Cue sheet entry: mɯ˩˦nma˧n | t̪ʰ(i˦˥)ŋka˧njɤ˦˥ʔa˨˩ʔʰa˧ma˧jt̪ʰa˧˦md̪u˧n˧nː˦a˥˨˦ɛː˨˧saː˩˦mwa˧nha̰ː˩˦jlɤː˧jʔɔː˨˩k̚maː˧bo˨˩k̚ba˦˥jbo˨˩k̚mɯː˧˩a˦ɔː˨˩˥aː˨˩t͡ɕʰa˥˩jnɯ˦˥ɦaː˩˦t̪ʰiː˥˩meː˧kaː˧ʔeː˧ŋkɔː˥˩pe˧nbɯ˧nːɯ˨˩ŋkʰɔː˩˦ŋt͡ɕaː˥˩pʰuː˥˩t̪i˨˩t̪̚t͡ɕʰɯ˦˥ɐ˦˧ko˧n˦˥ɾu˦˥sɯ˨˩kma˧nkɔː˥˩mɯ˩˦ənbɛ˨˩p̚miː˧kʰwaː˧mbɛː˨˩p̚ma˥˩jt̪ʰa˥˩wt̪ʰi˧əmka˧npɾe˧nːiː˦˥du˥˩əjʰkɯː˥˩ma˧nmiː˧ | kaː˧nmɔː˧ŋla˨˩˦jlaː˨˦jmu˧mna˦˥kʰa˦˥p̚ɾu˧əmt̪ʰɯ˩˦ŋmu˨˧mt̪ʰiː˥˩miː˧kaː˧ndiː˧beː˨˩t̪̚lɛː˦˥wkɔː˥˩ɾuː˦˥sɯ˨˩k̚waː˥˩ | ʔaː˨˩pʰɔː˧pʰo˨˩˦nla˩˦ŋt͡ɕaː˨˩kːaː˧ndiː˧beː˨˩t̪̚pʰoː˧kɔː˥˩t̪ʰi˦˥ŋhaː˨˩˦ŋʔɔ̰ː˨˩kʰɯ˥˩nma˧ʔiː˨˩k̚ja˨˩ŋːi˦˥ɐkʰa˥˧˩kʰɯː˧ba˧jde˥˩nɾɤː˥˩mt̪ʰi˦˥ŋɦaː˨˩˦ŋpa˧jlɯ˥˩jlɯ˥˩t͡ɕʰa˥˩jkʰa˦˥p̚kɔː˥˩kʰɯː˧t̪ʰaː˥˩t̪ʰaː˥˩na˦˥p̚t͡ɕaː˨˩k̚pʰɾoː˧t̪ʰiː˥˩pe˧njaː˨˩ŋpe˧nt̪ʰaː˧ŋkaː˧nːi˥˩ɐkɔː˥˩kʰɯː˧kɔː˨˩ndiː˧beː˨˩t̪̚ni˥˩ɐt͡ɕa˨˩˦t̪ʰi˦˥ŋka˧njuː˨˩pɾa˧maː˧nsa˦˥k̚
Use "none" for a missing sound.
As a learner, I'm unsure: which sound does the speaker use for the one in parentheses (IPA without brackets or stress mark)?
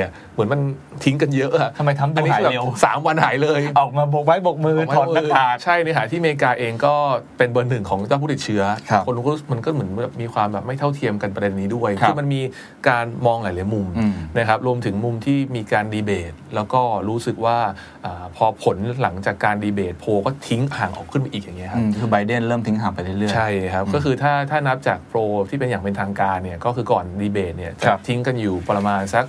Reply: i˦˥